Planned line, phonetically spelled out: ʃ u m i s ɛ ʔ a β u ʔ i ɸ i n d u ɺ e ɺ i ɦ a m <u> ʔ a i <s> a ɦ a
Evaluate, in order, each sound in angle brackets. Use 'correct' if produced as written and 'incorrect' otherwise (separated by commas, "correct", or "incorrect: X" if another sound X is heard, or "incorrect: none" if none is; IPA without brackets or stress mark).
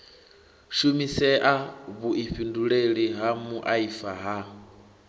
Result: correct, incorrect: f